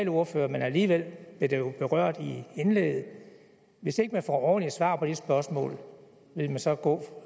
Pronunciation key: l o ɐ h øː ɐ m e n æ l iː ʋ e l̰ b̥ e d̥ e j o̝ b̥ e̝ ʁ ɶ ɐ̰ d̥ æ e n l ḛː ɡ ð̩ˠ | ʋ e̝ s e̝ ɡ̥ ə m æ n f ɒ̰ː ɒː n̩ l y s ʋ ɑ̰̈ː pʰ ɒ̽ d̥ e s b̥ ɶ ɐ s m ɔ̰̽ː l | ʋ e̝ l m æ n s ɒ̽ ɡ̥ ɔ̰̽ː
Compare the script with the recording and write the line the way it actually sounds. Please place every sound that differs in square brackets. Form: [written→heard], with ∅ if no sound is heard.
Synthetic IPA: l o ɐ [h→f] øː ɐ m e n æ l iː ʋ e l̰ b̥ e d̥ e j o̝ b̥ e̝ ʁ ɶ ɐ̰ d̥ [æ→i] e n l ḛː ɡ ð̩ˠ | ʋ e̝ s e̝ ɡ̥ ə m æ n f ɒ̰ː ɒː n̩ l [y→i] s ʋ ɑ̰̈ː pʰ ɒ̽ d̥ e s b̥ ɶ ɐ s m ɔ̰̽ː l | ʋ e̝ l m æ n s ɒ̽ ɡ̥ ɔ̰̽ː

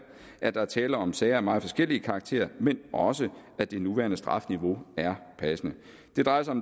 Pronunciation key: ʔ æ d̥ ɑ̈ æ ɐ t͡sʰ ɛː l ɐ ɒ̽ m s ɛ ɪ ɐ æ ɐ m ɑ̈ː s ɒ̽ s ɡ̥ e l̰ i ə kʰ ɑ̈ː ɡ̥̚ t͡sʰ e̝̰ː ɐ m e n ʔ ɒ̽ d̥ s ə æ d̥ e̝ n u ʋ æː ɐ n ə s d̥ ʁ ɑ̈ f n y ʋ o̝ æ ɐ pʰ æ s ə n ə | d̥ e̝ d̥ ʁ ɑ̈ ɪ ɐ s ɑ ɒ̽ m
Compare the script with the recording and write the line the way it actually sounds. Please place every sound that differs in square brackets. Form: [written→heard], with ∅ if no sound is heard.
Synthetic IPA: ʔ æ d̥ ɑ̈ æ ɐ t͡sʰ ɛː l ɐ ɒ̽ m s ɛ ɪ ɐ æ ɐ m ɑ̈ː [s→f] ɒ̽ s ɡ̥ e l̰ i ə kʰ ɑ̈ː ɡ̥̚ t͡sʰ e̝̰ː ɐ m e n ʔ ɒ̽ [d̥→∅] s ə æ d̥ e̝ n u ʋ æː ɐ n ə s d̥ ʁ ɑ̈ f n [y→i] ʋ o̝ æ ɐ pʰ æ s ə n ə | d̥ e̝ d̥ ʁ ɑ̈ ɪ ɐ s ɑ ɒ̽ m

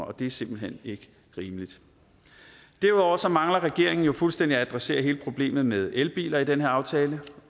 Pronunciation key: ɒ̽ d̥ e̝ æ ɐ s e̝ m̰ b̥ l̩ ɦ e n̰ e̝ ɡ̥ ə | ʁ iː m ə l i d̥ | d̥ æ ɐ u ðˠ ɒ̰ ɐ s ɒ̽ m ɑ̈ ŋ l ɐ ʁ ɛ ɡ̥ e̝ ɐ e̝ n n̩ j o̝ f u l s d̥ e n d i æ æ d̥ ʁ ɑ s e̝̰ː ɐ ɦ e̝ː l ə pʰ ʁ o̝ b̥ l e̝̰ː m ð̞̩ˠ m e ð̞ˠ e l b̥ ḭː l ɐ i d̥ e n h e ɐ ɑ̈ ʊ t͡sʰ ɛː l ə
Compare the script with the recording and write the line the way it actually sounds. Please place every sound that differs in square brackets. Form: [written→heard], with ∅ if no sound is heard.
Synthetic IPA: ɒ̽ d̥ e̝ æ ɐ s e̝ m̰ b̥ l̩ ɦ e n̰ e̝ ɡ̥ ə | ʁ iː m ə l i d̥ | d̥ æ ɐ u ðˠ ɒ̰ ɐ s ɒ̽ m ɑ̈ ŋ l ɐ ʁ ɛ ɡ̥ e̝ ɐ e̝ [n→ŋ] n̩ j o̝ f u l s d̥ e n d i æ æ d̥ ʁ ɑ s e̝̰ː ɐ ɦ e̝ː l ə pʰ ʁ o̝ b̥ l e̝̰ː m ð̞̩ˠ m e ð̞ˠ e l b̥ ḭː l ɐ i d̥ e n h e ɐ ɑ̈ ʊ t͡sʰ ɛː l ə

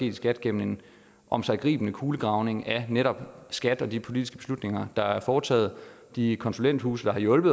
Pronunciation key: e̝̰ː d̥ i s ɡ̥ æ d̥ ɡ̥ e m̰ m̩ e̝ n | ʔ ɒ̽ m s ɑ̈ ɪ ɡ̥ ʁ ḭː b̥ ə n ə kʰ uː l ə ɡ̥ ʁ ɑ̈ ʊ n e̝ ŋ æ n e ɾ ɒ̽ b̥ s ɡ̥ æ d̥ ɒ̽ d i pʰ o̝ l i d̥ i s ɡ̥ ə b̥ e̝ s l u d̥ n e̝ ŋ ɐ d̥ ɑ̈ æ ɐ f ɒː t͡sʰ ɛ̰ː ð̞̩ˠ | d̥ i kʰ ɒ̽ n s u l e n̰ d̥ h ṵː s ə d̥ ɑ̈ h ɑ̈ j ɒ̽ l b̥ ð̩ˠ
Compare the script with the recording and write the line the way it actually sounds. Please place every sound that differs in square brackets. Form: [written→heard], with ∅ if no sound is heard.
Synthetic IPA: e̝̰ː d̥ i s ɡ̥ æ d̥ ɡ̥ e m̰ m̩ e̝ n | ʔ ɒ̽ m s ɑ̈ ɪ ɡ̥ ʁ ḭː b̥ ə n ə kʰ uː l ə ɡ̥ ʁ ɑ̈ ʊ n e̝ ŋ æ n e ɾ ɒ̽ b̥ s ɡ̥ æ d̥ ɒ̽ d i pʰ o̝ l i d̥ i s ɡ̥ ə b̥ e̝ s l u d̥ n e̝ ŋ ɐ d̥ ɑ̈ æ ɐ f ɒː t͡sʰ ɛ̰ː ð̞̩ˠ | d̥ i kʰ ɒ̽ n s u l e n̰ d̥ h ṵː s ə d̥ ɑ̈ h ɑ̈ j [ɒ̽→ɔ̽] l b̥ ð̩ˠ

